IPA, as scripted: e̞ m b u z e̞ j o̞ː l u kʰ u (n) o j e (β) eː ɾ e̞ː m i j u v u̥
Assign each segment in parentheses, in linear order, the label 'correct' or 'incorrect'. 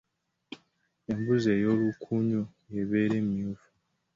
incorrect: ɲ, correct

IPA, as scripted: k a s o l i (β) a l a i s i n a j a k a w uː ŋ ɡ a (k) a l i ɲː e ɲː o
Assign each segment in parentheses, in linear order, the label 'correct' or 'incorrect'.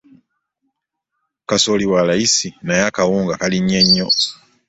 incorrect: w, correct

